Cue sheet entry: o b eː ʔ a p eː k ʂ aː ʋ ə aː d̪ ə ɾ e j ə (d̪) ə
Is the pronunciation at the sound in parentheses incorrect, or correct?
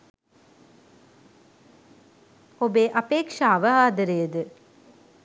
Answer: correct